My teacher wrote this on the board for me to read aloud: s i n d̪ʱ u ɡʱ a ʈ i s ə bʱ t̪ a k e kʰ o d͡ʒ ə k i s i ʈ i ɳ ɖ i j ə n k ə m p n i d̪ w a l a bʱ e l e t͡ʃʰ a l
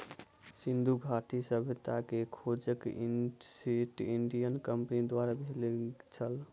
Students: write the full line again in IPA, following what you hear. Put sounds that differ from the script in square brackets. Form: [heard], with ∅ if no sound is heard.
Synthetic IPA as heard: s i n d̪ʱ u ɡʱ a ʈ i s ə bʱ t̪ a k e kʰ o d͡ʒ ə k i s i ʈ i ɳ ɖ i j ə n k ə m p n i d̪ w a [ɾ] a bʱ e l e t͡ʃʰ [ə] l